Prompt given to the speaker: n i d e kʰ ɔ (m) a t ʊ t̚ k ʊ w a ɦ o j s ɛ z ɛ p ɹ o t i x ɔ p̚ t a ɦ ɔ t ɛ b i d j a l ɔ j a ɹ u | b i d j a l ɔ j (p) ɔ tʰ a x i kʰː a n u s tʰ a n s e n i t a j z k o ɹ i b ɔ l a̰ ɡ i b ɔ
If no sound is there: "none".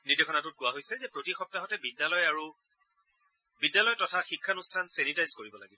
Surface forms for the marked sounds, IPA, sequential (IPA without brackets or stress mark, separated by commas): n, t